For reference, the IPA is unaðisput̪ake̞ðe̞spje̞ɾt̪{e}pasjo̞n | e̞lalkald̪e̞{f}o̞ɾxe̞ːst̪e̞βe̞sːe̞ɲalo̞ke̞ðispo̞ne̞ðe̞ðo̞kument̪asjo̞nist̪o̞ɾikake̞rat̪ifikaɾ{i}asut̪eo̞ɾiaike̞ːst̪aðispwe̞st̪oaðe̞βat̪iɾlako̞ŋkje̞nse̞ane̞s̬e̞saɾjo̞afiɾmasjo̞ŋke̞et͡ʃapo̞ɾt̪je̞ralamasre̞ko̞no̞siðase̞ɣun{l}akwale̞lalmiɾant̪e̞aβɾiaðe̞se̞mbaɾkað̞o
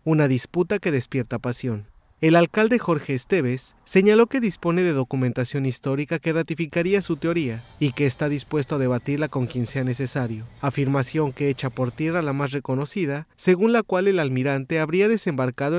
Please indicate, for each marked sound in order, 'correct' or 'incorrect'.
incorrect: a, incorrect: x, correct, correct

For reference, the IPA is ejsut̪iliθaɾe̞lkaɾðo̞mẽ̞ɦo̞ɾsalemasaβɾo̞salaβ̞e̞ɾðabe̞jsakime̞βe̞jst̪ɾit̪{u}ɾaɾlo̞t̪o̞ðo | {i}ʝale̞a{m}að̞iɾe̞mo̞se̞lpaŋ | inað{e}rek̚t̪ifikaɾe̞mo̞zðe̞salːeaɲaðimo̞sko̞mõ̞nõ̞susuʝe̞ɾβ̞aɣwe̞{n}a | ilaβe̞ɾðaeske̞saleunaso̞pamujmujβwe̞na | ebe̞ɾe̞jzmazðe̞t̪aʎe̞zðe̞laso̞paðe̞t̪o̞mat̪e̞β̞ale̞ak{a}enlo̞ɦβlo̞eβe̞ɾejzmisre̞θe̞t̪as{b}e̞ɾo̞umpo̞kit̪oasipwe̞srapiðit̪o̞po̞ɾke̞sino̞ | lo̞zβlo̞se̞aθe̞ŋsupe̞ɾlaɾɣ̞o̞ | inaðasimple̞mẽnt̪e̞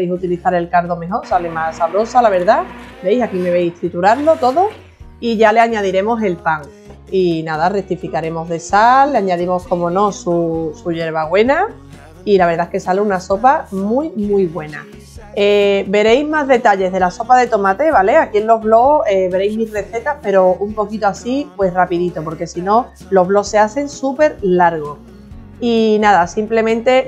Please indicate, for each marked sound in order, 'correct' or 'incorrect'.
correct, correct, incorrect: ɲ, incorrect: a, correct, incorrect: i, incorrect: p

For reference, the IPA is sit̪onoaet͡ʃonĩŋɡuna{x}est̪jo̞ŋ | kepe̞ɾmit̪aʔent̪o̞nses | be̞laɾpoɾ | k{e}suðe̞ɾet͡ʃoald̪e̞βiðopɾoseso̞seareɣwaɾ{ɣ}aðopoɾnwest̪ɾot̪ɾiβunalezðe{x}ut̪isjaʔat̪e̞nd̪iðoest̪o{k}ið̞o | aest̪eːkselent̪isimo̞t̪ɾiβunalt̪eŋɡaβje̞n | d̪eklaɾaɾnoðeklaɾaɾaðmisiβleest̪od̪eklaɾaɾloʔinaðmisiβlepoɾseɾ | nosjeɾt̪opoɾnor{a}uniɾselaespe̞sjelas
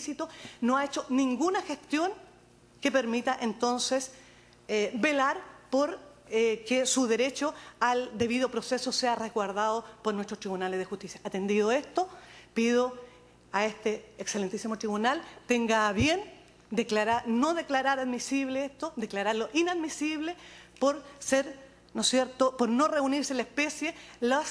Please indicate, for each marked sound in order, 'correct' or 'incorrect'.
correct, correct, incorrect: ð, correct, incorrect: p, incorrect: e

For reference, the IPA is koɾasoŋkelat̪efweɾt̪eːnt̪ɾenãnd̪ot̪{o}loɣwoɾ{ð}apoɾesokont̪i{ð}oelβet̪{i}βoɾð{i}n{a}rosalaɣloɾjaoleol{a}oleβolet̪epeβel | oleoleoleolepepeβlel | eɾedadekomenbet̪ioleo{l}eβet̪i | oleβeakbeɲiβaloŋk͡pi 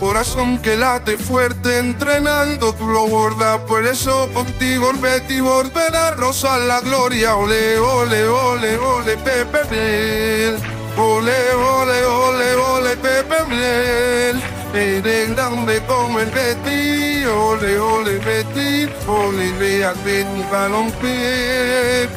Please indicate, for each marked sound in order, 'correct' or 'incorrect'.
incorrect: u, correct, incorrect: ɣ, correct, incorrect: e, correct, incorrect: e, correct

